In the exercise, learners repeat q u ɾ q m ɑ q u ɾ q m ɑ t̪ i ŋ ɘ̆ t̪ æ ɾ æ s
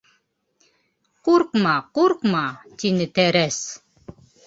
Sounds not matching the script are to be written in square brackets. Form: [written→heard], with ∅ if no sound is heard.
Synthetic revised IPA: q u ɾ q m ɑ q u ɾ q m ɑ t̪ i [ŋ→n] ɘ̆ t̪ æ ɾ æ s